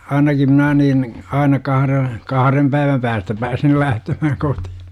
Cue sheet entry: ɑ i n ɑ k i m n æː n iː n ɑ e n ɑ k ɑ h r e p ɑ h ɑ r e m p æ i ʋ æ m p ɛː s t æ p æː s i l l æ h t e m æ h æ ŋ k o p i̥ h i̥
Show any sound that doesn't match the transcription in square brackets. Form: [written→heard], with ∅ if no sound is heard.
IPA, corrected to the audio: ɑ i n ɑ k i m n æː n iː n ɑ [e→i] n ɑ k ɑ h r e [p→k] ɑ h ɑ r e m p æ i ʋ æ m p [ɛː→æː] s t æ p æː s i l l æ h t e m æ h æ ŋ k o [p→t] i̥ h i̥